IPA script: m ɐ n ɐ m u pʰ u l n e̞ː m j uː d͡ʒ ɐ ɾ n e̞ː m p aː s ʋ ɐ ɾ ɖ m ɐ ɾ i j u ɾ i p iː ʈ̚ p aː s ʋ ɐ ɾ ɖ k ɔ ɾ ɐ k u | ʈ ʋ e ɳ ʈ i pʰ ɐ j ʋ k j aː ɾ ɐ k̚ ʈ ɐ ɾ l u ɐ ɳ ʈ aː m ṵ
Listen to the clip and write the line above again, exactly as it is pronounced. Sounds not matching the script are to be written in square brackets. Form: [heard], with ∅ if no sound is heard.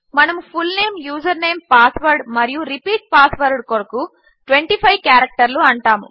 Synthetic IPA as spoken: m ɐ n ɐ m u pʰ u l n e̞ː m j uː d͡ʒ ɐ ɾ n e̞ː m p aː s ʋ ɐ ɾ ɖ m ɐ ɾ i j u ɾ i p iː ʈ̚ p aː s ʋ ɐ ɾ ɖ k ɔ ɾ ɐ k u | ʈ ʋ e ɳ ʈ i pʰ ɐ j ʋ k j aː ɾ ɐ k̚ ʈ ɐ ɾ l u ɐ ɳ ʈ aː m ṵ